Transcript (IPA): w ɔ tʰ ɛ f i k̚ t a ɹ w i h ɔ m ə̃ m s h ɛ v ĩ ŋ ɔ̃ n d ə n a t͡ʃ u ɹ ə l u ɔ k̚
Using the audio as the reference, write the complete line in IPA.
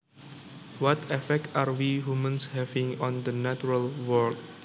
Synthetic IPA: w ɔ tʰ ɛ f ɛ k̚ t a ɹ w i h u m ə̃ n s h ɛ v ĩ ŋ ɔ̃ n d ə n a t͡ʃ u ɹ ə l w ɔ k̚